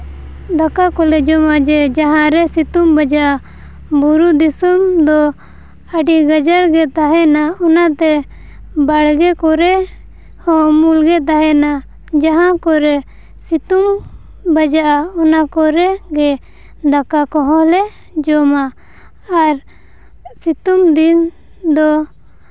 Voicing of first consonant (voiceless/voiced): voiced